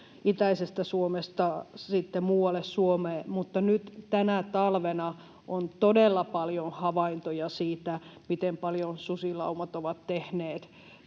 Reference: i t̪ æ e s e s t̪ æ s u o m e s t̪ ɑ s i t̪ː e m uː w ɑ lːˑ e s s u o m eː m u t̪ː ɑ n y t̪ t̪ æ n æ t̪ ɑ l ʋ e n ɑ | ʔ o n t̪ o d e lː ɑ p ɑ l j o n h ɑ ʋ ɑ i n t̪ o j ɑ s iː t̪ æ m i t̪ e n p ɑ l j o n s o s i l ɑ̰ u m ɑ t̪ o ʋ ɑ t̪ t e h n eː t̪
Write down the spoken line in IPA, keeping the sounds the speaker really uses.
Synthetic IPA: i t̪ æ i s e s t̪ æ s u o m e s t̪ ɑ s i t̪ː e m uː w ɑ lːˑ e s s u o m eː m u t̪ː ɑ n y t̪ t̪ æ n æ t̪ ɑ l ʋ e n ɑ | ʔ o n t̪ o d e lː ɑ p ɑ l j o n h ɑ ʋ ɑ i n t̪ o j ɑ s iː t̪ æ m i t̪ e m p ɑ l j o n s u s i l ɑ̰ u m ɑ t̪ o ʋ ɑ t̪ t e h n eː t̪